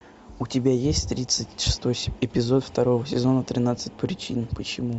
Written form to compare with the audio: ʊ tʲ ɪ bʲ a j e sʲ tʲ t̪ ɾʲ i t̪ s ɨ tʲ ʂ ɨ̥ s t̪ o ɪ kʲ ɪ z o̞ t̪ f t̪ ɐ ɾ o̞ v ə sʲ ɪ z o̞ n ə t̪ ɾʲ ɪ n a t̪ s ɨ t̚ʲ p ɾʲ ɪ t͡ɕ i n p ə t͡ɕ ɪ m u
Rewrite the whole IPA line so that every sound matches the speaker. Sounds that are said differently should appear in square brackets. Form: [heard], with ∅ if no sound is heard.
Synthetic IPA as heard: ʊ tʲ ɪ bʲ a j e sʲ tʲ t̪ ɾʲ i t̪ s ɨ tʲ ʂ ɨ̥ s t̪ o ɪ [pʲ] ɪ z o̞ t̪ f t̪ ɐ ɾ o̞ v ə sʲ ɪ z o̞ n ə t̪ ɾʲ ɪ n a t̪ s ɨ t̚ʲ p ɾʲ ɪ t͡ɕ i n p ə t͡ɕ ɪ m u